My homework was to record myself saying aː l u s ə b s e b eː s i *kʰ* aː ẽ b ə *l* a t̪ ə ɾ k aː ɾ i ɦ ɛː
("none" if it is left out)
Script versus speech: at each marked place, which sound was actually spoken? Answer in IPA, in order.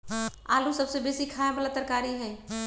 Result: kʰ, l

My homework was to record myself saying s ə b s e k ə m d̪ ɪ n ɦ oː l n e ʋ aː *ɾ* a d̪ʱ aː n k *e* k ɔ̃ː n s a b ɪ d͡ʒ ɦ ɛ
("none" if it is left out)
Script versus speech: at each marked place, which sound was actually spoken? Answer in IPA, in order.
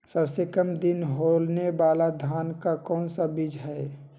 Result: l, a

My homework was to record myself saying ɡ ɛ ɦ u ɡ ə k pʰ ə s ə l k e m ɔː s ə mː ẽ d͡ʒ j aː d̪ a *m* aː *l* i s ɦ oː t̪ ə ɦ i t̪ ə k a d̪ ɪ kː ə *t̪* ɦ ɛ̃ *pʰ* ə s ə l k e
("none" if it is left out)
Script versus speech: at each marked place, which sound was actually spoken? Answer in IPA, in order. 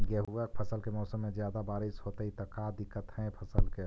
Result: b, ɾ, t̪, pʰ

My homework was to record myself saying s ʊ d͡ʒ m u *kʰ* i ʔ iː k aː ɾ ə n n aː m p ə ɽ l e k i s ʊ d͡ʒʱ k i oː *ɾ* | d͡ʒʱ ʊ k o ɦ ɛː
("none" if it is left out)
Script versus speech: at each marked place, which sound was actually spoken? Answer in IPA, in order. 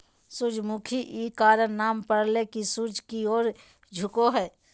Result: kʰ, ɾ

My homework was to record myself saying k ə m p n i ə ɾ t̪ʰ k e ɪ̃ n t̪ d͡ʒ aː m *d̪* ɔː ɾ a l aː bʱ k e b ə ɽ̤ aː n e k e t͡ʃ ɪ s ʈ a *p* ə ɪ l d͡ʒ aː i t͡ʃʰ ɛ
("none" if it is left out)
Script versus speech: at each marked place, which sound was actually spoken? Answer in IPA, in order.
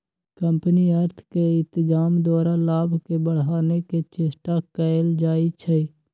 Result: d̪, k

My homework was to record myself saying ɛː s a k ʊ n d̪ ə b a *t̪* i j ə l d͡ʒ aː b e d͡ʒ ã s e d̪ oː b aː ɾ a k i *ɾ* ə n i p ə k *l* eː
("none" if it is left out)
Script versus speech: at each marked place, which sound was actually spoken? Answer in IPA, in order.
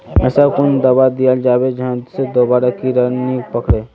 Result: d̪, ɾ, ɽ

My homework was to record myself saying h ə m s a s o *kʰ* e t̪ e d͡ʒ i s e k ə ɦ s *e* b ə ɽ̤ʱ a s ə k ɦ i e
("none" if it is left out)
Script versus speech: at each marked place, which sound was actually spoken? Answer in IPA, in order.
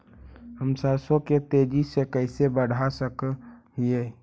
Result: k, e

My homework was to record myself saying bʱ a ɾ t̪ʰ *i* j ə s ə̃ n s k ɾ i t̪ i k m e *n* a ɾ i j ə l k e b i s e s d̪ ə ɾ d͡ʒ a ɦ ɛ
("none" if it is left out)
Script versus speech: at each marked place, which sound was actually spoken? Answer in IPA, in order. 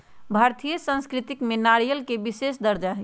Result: i, n

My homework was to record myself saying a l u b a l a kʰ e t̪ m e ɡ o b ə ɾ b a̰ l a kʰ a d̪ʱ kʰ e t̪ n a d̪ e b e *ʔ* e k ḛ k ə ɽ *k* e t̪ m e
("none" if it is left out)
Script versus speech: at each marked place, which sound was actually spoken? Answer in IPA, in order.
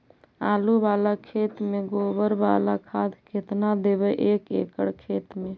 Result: ʔ, kʰ

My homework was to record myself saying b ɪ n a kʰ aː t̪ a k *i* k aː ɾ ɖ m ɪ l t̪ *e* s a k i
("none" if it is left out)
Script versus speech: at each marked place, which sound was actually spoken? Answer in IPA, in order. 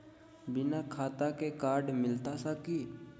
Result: e, a

